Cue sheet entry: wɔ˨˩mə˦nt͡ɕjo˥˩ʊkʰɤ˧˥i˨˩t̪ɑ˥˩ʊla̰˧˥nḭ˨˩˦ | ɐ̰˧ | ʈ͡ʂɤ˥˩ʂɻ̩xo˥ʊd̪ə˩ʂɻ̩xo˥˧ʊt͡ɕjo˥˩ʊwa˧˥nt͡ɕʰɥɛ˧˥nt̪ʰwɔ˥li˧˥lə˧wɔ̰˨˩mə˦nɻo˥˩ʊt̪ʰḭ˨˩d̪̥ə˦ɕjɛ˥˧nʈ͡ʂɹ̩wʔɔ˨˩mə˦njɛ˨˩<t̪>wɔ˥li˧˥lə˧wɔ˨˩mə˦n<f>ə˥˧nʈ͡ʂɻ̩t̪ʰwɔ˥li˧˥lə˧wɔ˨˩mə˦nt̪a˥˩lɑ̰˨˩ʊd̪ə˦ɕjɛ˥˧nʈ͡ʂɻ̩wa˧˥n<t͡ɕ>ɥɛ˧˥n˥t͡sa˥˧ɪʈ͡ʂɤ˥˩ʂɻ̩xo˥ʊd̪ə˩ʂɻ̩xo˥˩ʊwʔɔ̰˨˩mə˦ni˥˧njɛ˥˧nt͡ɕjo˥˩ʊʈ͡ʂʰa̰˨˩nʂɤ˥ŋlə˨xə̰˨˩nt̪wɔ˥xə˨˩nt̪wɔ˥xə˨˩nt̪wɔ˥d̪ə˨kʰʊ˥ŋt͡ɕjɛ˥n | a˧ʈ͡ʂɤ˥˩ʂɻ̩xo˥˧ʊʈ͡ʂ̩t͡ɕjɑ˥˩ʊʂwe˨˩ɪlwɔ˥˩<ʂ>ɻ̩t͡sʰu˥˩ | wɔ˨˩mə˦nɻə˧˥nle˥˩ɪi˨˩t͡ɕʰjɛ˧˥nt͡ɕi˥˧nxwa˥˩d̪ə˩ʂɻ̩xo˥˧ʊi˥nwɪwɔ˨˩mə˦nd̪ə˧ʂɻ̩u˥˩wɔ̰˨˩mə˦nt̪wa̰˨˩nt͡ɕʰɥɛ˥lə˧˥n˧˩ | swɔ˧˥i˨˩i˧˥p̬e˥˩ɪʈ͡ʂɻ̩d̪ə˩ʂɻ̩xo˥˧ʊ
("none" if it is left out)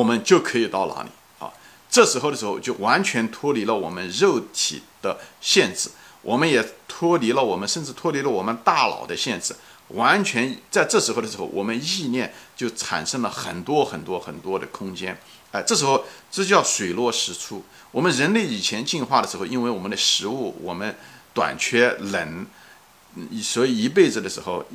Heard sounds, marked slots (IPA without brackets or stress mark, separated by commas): t̪ʰ, ʂ, t͡ɕʰ, ʂ